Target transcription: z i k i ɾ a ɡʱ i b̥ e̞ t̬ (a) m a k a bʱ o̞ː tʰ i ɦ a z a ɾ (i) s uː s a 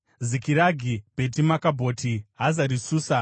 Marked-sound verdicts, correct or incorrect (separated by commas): incorrect, correct